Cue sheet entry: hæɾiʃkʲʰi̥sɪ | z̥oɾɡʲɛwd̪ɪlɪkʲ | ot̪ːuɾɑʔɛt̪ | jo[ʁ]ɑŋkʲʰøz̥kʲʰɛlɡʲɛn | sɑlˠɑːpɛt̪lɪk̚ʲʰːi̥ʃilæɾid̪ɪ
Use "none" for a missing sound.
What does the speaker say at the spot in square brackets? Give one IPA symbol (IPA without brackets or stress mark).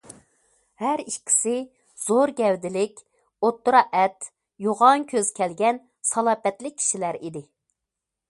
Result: ʁ